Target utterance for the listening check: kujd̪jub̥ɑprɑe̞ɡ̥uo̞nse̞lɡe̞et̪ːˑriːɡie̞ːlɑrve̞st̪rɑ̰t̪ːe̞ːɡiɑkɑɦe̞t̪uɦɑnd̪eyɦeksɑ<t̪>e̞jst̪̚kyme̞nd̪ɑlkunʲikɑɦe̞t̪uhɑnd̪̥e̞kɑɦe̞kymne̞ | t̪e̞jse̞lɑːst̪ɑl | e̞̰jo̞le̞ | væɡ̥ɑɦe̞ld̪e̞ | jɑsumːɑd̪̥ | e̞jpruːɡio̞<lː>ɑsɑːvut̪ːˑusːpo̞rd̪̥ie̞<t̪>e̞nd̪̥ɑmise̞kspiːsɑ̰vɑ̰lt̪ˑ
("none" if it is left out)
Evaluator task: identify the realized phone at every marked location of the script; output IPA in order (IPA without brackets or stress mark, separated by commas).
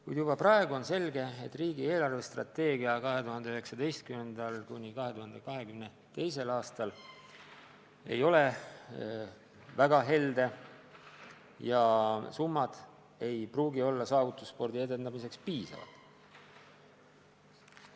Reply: d̪, lː, d̪